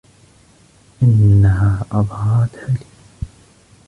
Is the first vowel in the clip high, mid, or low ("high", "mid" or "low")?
high